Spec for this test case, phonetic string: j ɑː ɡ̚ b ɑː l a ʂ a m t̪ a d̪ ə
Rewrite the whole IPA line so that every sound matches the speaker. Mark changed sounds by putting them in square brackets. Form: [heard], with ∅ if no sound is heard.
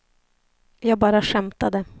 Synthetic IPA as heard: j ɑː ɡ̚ b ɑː [ɾ] a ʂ [ɛ] m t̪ a d̪ ə